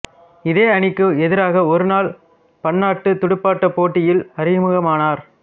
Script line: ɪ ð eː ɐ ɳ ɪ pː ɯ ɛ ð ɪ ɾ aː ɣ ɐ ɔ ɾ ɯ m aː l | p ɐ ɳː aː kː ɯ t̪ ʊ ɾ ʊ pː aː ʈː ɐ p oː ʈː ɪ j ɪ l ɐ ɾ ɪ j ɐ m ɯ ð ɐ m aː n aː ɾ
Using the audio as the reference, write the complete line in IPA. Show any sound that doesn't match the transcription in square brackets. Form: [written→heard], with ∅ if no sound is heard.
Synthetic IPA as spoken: ɪ ð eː ɐ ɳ ɪ [pː→kː] ɯ ɛ ð ɪ ɾ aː ɣ ɐ ɔ ɾ ɯ [m→n] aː l | p ɐ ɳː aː [kː→ʈː] ɯ t̪ ʊ [ɾ→ɽ] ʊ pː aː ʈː ɐ p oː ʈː ɪ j ɪ l ɐ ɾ ɪ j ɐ m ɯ [ð→ɣ] ɐ m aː n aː ɾ